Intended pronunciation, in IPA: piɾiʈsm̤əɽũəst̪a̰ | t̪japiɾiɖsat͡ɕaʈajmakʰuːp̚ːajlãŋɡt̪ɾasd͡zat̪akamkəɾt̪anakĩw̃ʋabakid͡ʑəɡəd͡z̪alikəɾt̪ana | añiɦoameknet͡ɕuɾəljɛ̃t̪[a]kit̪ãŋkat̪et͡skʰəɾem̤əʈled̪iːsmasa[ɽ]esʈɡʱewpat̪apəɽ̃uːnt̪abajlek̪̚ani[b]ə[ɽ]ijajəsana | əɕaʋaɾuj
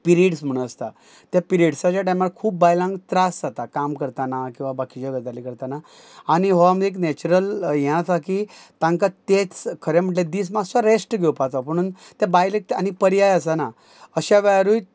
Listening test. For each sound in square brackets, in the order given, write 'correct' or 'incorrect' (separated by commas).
correct, incorrect, incorrect, incorrect